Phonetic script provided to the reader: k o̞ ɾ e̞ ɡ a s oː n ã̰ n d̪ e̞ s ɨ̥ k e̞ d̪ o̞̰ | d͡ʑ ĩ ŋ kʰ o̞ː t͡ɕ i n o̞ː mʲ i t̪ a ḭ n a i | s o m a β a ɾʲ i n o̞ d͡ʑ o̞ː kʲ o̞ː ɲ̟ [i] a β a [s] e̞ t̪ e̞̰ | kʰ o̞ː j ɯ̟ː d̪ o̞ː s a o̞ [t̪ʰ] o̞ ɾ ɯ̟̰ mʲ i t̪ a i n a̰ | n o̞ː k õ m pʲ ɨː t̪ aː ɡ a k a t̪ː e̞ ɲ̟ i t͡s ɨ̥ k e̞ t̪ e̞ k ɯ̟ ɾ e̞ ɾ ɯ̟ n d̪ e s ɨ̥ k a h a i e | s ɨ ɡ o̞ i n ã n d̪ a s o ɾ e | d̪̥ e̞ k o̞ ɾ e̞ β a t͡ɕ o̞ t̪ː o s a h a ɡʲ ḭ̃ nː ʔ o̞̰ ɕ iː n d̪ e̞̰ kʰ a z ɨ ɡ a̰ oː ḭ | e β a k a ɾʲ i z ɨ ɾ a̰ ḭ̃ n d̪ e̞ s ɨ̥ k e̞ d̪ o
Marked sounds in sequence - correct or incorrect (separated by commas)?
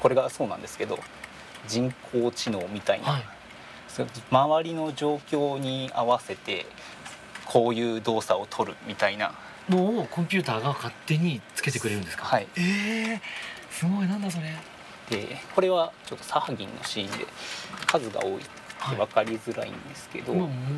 correct, correct, correct